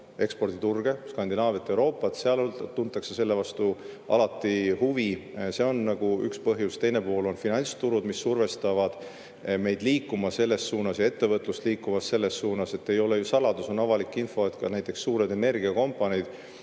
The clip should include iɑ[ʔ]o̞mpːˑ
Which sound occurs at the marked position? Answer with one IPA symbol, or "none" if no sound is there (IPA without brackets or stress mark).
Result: k